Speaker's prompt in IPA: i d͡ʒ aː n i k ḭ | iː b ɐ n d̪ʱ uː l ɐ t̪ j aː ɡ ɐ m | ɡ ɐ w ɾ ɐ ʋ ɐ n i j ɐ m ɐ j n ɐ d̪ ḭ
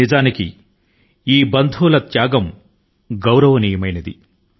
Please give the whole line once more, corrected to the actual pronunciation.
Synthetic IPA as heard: i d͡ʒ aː n i k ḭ | iː b ɐ n d̪ʱ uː l ɐ t̪ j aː ɡ ɐ m | ɡ ɐ w ɾ ɐ ʋ ɐ n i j ɐ m ɐ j n ɐ d̪ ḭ